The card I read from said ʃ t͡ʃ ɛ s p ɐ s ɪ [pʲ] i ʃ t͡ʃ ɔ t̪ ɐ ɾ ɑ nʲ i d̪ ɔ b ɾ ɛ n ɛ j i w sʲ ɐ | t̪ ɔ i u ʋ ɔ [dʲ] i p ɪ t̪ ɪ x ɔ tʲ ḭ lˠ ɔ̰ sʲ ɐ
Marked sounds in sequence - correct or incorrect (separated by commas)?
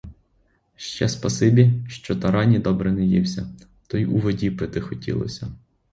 incorrect, correct